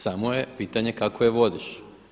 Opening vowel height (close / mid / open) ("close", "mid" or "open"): open